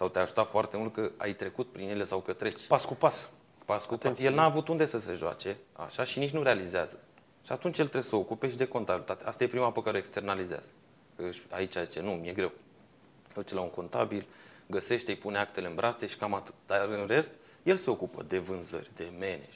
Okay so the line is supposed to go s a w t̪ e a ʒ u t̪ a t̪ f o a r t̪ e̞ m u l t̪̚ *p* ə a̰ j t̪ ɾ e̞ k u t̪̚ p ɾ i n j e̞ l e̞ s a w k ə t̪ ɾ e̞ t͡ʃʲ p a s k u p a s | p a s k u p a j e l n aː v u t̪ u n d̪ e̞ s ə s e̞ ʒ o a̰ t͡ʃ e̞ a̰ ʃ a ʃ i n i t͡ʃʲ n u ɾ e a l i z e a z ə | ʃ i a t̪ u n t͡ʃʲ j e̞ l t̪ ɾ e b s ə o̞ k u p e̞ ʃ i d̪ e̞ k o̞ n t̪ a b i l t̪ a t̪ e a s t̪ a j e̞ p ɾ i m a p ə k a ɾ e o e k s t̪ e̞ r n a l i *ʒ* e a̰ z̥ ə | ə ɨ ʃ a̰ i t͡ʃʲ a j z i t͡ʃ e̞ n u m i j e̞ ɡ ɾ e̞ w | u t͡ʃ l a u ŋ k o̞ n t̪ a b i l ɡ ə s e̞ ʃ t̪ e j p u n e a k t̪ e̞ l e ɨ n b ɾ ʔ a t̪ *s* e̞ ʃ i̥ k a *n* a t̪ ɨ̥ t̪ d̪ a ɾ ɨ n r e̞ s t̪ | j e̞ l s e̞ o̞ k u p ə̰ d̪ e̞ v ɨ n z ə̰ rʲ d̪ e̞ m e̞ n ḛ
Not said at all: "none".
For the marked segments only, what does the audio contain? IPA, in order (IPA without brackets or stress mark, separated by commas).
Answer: k, z, s, m